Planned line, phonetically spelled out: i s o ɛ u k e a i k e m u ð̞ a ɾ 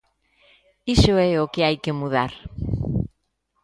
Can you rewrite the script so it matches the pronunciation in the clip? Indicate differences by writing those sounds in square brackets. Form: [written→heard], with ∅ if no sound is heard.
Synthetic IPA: i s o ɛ [u→o] k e a [i→j] k e m u ð̞ a ɾ